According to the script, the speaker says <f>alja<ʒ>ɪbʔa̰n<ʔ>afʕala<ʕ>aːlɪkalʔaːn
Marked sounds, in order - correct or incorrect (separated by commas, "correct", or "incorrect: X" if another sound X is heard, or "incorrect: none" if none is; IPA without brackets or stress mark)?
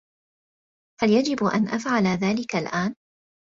incorrect: h, incorrect: d͡ʒ, correct, incorrect: ð